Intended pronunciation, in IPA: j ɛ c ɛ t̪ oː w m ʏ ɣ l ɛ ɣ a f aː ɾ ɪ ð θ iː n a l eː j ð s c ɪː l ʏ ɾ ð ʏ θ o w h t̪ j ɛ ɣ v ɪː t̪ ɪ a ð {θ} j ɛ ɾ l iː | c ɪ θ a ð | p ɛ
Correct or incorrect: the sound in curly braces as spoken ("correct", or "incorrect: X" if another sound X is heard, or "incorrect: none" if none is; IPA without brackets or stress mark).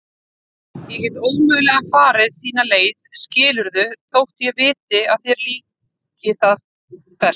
correct